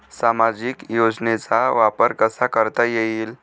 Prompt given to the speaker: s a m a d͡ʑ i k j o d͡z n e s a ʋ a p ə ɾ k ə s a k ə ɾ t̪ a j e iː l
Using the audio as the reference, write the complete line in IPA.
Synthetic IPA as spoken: s a m a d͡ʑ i k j o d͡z n e t͡s a ʋ a p ə ɾ k ə s a k ə ɾ t̪ a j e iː l